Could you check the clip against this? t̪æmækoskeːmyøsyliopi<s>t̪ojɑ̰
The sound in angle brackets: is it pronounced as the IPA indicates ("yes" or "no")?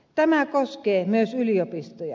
yes